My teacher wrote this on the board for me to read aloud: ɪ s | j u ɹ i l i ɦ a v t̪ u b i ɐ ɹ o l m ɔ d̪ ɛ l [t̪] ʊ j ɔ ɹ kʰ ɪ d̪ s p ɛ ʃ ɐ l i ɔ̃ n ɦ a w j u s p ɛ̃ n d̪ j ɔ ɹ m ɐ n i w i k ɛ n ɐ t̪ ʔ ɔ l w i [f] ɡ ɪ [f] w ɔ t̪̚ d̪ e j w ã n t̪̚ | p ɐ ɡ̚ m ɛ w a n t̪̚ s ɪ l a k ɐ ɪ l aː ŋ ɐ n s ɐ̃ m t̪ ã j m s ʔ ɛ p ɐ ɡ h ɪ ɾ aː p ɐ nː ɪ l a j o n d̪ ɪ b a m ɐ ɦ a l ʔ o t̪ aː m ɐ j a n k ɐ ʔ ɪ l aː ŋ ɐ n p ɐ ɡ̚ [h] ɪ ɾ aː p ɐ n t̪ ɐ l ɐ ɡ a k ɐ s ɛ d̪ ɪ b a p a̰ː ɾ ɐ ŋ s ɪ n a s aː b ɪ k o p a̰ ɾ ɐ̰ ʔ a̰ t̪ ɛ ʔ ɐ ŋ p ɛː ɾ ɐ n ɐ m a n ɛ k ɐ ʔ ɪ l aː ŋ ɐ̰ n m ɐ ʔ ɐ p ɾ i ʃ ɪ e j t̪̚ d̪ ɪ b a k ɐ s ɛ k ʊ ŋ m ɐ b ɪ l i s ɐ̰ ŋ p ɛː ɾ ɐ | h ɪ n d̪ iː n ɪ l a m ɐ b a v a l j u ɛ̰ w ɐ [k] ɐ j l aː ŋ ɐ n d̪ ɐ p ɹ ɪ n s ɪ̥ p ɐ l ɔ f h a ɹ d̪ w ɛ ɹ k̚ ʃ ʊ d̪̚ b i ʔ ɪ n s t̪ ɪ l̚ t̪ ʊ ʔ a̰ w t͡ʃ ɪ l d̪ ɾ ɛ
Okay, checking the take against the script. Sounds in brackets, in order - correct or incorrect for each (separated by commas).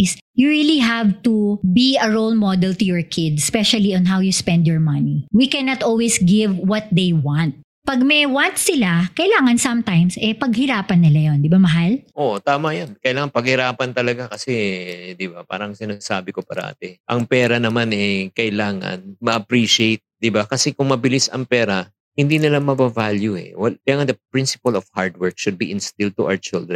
correct, incorrect, incorrect, correct, correct